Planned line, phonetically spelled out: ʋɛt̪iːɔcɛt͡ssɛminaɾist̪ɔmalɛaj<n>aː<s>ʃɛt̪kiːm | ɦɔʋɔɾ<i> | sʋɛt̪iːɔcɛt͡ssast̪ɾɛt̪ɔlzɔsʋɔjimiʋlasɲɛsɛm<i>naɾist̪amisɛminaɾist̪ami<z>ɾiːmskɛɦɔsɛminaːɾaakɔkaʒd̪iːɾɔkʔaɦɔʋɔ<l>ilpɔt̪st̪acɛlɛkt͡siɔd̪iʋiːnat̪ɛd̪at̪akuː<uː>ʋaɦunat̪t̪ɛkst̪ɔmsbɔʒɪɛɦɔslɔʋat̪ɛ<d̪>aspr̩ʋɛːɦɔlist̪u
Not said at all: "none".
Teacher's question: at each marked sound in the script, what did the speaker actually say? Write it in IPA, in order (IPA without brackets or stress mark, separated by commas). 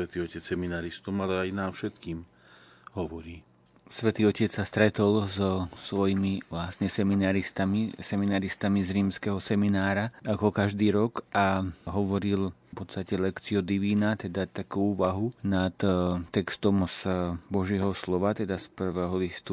n, f, iː, i, z, ɾ, uː, d̪